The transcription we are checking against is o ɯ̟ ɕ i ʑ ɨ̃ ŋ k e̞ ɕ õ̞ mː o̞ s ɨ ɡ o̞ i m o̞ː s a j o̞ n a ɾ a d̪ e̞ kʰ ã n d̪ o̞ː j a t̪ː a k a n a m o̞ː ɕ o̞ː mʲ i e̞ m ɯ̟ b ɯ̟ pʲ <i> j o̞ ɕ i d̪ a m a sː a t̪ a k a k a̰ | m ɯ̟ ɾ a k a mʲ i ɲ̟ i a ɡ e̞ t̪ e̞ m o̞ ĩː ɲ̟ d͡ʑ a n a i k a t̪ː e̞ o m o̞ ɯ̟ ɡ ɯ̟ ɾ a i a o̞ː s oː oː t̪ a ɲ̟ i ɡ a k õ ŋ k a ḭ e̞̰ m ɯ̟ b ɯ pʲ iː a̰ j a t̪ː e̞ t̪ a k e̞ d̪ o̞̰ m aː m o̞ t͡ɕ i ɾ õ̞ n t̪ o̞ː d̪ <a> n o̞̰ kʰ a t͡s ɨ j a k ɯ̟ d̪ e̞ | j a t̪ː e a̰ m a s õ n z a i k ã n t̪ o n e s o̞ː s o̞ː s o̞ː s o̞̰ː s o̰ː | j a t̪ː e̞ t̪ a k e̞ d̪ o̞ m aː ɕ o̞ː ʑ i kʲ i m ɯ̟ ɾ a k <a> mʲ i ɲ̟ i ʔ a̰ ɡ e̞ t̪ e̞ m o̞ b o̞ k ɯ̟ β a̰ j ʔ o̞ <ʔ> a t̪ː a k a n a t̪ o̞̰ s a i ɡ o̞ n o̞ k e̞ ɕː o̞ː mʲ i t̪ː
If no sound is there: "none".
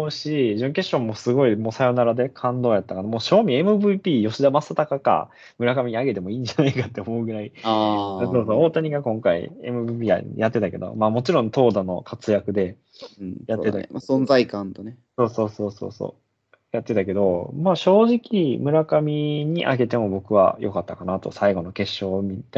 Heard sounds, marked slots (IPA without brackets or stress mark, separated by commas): iː, a, a, k